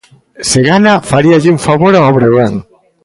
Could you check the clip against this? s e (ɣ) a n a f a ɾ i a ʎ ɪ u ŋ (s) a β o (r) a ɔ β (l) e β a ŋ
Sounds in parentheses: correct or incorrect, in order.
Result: correct, incorrect: f, incorrect: ɾ, incorrect: ɾ

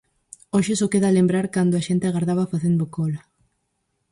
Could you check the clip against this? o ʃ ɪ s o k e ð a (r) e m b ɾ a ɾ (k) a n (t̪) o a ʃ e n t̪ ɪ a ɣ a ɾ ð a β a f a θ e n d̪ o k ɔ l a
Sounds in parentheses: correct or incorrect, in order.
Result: incorrect: l, correct, incorrect: d̪

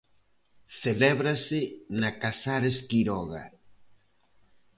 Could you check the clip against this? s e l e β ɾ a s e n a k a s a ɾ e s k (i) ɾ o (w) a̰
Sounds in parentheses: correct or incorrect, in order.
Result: correct, incorrect: ɣ

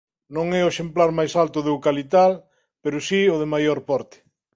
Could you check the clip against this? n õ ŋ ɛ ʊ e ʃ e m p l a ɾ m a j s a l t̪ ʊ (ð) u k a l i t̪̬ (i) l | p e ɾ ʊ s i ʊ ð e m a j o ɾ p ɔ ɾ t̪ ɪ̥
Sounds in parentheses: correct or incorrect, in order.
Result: correct, incorrect: a

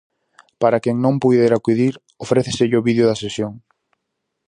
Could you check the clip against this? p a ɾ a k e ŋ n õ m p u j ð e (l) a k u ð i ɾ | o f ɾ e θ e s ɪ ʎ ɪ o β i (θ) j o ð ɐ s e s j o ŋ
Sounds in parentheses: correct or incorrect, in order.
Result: incorrect: ɾ, incorrect: ð

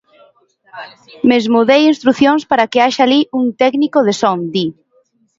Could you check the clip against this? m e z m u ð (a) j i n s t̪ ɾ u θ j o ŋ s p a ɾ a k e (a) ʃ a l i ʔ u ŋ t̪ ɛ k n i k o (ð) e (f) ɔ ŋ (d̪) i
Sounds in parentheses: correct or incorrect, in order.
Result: incorrect: e, correct, correct, incorrect: s, correct

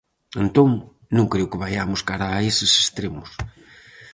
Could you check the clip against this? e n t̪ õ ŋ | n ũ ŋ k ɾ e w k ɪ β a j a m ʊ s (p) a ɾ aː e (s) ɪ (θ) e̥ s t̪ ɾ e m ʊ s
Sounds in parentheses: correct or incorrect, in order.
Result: incorrect: k, correct, incorrect: s

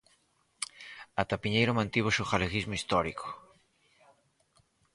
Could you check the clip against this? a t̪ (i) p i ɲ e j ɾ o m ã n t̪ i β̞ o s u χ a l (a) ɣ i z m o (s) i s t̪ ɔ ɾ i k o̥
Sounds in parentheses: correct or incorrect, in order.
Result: incorrect: a, incorrect: e, incorrect: none

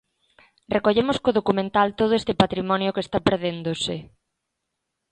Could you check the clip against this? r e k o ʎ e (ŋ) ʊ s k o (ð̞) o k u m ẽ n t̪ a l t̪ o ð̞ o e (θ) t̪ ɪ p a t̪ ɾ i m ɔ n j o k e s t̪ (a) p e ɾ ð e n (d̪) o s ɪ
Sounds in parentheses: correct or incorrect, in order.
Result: incorrect: m, correct, incorrect: s, correct, correct

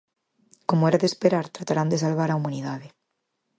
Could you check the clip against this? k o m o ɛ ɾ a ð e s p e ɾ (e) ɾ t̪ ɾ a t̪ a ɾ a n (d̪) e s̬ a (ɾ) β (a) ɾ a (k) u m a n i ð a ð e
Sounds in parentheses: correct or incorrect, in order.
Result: incorrect: a, correct, incorrect: l, correct, incorrect: none

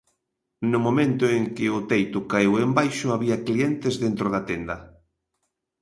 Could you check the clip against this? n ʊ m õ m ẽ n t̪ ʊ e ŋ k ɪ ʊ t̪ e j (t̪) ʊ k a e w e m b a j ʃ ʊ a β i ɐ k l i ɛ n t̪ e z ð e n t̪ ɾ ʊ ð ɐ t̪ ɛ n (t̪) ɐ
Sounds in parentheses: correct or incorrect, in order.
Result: correct, incorrect: d̪

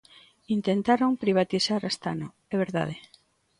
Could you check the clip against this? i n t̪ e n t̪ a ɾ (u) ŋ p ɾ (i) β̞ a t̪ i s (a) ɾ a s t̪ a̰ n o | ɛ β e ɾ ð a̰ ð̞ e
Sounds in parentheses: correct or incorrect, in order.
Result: incorrect: o, correct, correct

